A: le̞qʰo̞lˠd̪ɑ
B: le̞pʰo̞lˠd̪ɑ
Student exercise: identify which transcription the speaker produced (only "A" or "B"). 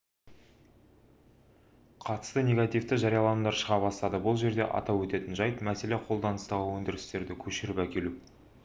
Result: A